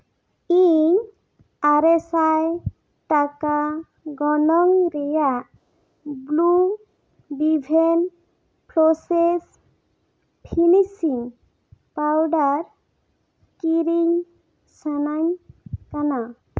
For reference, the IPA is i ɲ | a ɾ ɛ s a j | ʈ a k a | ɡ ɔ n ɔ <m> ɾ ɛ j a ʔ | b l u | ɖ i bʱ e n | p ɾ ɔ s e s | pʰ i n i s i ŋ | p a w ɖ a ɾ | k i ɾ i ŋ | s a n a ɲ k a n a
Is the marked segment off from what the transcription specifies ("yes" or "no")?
yes